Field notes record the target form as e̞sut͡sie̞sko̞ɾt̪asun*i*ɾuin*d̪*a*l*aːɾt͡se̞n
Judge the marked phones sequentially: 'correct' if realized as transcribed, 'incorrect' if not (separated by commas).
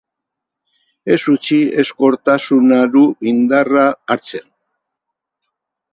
incorrect, correct, incorrect